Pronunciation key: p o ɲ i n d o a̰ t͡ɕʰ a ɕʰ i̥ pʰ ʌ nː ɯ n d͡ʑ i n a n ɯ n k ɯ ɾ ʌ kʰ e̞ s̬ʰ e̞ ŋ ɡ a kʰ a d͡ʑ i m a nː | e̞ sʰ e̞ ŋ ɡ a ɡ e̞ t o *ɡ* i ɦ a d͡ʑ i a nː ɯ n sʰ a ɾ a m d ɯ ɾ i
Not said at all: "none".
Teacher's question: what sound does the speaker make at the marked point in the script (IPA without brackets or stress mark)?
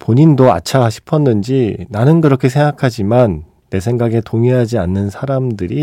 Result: ŋ